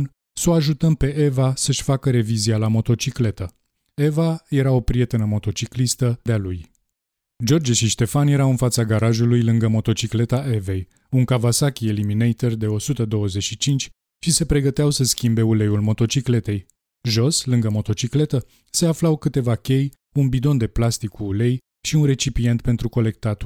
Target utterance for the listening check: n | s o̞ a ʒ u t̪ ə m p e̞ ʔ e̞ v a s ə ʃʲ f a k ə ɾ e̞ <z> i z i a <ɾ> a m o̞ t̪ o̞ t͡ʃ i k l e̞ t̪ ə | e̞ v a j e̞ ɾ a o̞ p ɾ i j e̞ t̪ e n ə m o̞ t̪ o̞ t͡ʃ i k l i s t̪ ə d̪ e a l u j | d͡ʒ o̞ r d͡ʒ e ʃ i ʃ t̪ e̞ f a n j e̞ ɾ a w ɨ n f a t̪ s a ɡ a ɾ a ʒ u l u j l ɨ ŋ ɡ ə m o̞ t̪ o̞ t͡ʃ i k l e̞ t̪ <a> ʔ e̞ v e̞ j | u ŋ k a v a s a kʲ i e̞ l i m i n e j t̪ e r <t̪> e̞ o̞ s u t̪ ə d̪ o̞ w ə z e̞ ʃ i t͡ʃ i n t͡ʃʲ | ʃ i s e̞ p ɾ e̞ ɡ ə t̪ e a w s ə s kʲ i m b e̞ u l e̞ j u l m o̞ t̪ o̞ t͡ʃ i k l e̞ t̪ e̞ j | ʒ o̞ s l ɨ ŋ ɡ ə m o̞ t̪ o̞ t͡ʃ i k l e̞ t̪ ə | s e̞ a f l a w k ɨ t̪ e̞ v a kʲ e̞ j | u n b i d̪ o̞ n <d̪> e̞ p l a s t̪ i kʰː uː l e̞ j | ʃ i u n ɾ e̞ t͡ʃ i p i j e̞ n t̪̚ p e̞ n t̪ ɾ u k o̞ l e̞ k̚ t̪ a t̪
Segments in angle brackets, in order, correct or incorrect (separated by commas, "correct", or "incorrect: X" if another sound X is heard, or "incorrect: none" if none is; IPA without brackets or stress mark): incorrect: v, incorrect: l, correct, incorrect: d̪, correct